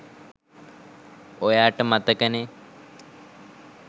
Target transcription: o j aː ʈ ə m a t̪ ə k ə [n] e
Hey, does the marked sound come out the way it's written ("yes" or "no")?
yes